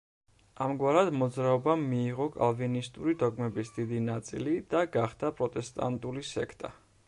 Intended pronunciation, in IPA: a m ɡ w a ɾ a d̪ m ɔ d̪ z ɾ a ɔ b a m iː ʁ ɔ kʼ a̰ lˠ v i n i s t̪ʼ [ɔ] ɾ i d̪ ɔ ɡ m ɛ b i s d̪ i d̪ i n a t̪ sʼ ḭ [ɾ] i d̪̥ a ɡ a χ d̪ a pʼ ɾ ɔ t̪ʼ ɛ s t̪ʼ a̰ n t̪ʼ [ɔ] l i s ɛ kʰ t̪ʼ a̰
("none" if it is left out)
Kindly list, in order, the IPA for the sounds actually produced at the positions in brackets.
u, l, u

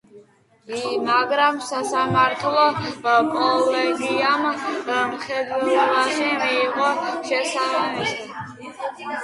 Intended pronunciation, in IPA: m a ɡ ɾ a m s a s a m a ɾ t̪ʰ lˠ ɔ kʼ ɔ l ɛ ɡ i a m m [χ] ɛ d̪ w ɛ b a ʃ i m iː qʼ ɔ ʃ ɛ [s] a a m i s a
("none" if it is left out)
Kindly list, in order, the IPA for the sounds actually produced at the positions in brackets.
χ, s

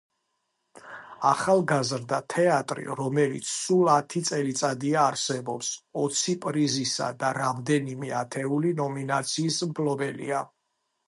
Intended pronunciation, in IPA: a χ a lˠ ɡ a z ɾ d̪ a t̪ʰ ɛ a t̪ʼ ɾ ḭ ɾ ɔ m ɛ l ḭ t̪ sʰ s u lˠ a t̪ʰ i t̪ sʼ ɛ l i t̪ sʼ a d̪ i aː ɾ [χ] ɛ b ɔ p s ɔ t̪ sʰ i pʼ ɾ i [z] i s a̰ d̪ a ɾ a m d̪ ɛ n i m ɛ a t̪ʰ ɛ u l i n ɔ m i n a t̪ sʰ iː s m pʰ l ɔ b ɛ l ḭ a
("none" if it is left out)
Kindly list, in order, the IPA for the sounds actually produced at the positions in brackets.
s, z

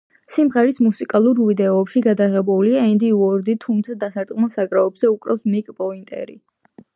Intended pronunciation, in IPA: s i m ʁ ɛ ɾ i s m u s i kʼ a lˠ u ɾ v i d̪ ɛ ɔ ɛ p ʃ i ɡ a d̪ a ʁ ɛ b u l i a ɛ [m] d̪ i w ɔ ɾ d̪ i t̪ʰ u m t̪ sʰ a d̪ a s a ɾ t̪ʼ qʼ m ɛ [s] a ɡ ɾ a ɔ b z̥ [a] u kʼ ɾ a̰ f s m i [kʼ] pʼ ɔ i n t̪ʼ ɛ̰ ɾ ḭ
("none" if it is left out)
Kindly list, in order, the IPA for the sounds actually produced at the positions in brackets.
n, s, ɛ, kʼ

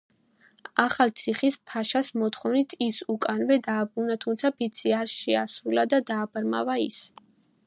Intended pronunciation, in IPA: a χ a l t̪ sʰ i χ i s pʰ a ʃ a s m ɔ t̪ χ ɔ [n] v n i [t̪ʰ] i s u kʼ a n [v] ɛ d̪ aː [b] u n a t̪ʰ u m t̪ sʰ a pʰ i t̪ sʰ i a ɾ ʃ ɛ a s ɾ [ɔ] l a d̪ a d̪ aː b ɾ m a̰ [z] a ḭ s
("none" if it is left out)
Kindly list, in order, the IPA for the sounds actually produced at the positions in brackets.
none, t̪ʰ, v, b, u, v

